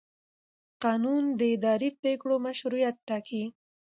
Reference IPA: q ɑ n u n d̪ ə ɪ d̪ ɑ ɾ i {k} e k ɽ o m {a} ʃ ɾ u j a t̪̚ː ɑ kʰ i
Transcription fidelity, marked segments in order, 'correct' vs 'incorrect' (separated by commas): incorrect, correct